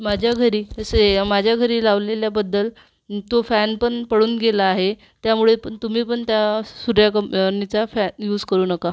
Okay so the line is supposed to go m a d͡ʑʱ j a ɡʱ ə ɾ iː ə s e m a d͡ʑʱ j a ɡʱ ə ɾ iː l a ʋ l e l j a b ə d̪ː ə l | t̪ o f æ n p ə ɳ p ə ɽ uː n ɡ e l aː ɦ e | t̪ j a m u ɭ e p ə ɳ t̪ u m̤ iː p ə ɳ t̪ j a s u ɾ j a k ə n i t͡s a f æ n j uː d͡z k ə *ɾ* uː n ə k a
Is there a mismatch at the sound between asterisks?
no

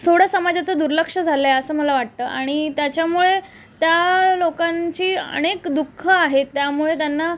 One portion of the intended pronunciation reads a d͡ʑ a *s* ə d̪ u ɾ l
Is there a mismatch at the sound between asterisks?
yes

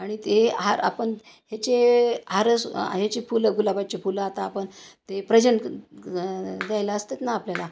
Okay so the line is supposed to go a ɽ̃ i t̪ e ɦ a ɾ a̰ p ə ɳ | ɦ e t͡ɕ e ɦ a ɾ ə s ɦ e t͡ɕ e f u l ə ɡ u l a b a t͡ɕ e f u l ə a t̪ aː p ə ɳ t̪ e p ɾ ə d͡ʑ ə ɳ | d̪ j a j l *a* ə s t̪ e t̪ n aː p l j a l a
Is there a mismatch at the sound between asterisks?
no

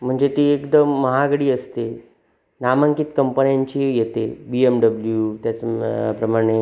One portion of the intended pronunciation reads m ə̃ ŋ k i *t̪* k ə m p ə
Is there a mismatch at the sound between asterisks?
no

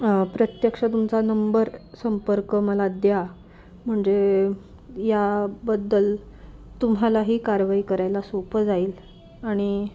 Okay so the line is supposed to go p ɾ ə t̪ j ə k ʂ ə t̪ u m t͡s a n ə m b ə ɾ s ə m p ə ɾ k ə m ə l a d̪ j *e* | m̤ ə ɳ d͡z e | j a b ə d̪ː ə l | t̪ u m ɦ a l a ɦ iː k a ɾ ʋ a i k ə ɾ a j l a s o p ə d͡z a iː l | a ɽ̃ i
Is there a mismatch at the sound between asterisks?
yes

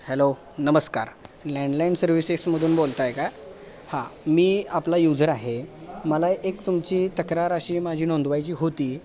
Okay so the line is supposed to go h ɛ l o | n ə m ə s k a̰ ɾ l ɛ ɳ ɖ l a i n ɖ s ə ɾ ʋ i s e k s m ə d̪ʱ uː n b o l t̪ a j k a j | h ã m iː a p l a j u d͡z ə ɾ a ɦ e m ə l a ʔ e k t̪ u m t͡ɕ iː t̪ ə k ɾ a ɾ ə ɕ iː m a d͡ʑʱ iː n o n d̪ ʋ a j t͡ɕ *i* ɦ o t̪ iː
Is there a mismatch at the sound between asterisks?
yes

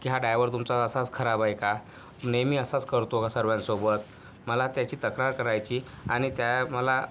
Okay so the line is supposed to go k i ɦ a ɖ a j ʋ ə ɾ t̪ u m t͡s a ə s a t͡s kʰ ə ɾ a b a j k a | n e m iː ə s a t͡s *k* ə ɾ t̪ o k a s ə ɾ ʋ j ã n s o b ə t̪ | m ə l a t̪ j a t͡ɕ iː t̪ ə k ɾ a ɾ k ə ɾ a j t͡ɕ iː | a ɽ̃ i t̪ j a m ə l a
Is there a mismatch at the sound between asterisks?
no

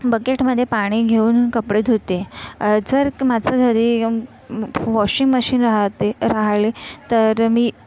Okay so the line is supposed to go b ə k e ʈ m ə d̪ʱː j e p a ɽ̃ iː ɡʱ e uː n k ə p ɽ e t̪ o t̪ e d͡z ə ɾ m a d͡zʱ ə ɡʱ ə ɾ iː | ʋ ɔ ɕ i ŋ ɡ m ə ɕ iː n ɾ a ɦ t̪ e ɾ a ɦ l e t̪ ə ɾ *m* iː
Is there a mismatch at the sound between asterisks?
no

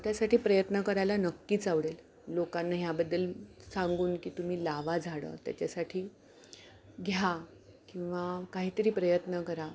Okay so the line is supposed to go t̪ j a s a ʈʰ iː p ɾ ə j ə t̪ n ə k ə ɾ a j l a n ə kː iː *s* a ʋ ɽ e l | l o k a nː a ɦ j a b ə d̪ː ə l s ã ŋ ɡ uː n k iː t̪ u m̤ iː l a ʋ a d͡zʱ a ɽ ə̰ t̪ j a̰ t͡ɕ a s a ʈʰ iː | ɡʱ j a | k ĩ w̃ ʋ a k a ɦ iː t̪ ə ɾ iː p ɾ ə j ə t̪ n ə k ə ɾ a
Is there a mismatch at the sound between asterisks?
yes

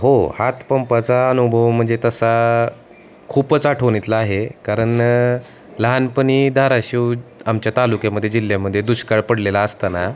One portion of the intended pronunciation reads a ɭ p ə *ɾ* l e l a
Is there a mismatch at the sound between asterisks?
yes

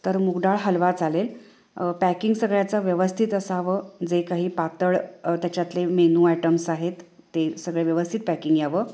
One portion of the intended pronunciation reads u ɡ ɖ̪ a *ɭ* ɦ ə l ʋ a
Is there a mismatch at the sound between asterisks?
no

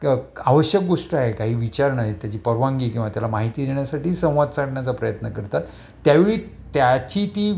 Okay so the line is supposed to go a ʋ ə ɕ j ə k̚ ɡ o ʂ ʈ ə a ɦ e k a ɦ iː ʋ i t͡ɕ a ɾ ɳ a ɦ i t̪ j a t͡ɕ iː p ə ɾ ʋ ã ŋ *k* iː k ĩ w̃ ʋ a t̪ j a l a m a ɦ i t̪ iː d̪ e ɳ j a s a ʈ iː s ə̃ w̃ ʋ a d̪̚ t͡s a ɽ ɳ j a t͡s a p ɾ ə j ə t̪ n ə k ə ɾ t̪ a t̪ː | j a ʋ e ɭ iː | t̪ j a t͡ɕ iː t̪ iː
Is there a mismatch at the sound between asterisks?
yes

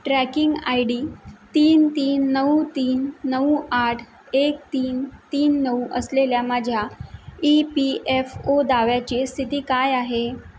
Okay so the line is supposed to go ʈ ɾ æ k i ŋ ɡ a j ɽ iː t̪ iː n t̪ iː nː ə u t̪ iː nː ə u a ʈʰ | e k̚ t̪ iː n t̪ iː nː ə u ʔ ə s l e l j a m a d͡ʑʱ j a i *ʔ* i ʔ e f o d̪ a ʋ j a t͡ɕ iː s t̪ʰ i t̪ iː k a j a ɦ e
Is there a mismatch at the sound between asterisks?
yes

